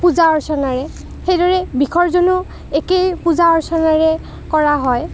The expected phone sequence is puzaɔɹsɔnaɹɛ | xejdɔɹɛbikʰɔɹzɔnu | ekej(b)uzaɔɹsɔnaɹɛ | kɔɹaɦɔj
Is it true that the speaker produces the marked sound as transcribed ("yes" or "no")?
no